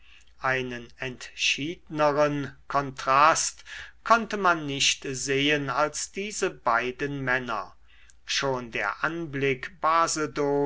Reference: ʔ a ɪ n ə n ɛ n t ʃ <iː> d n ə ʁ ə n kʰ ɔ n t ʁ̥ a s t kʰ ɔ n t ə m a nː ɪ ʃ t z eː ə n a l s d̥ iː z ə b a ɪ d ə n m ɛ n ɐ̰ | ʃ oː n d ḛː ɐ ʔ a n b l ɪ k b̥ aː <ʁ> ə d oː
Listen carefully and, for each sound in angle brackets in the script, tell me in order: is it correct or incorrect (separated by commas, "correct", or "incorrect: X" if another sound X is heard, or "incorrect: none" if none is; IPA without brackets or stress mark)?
correct, incorrect: z